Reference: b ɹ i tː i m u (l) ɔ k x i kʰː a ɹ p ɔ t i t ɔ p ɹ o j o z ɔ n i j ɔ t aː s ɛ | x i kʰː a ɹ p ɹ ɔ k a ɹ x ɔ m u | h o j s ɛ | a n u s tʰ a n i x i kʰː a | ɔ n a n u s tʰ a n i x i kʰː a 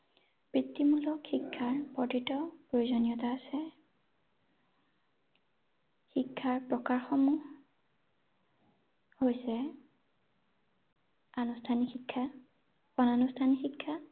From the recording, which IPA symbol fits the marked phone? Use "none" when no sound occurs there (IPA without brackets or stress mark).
l